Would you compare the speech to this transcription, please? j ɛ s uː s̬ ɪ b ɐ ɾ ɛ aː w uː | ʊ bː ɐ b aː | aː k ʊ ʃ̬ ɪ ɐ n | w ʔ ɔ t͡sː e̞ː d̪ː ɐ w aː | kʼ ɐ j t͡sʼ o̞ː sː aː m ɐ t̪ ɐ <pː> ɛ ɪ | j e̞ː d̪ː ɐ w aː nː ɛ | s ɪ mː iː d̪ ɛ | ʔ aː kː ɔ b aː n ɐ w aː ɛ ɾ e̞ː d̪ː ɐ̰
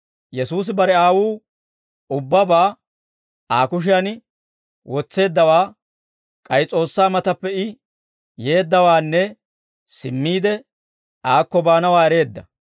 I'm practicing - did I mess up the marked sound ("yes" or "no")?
no